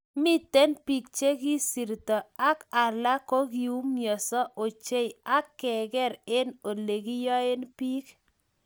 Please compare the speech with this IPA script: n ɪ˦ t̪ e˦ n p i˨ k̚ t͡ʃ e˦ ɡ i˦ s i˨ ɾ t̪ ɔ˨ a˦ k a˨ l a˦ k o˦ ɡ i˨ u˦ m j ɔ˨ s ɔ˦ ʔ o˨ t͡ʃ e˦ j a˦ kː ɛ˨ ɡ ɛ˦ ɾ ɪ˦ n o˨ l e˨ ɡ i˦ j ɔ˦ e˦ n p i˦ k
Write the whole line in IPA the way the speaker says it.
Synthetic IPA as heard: m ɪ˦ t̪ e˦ n p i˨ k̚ t͡ʃ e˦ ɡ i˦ s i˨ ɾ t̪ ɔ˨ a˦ k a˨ l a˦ k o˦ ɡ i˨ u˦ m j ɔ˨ s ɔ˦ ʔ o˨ t͡ʃ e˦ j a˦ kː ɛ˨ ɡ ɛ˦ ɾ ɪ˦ n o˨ l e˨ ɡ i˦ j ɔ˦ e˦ n p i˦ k